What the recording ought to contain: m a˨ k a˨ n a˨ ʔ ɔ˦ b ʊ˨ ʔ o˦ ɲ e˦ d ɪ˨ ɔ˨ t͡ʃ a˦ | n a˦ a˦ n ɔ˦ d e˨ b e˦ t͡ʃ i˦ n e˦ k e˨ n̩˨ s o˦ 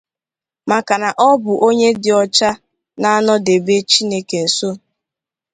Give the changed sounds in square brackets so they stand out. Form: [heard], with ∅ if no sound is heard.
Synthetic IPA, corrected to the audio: m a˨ k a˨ n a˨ ʔ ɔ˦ b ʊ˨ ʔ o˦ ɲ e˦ d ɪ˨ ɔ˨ t͡ʃ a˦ | n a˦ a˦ n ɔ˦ d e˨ b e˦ t͡ʃ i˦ n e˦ k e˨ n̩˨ s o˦